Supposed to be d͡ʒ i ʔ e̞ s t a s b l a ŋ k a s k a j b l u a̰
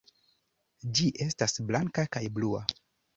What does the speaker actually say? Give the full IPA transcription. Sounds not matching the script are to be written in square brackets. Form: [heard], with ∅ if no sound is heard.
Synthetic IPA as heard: d͡ʒ i ʔ e̞ s t a s b l a ŋ k a [∅] k a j b l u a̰